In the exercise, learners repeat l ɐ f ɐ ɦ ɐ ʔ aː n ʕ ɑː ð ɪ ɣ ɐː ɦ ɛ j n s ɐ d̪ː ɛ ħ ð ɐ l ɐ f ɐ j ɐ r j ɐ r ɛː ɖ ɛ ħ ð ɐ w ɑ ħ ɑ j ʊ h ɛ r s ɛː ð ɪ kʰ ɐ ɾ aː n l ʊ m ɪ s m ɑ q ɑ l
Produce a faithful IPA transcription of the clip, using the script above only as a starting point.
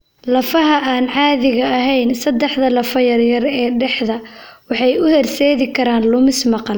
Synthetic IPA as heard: l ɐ f ɐ ɦ ɐ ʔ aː n ʕ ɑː ð ɪ ɣ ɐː ɦ ɛ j n s ɐ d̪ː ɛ ħ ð ɐ l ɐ f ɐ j ɐ r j ɐ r ɛː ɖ ɛ ħ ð ɐ w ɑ ħ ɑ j ʊ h ɛ r s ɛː ð ɪ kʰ ɐ ɾ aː n l ʊ m ɪ s m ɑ q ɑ l